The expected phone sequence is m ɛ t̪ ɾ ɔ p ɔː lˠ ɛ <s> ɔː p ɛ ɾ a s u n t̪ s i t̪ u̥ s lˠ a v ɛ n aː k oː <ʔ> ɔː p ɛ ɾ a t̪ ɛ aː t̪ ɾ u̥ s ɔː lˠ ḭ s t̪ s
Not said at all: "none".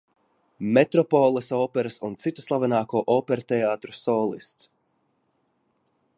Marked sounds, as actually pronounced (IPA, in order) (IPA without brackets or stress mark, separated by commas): s, ʔ